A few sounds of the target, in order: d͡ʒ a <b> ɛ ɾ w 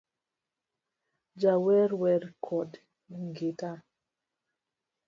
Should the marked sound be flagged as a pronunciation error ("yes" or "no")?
yes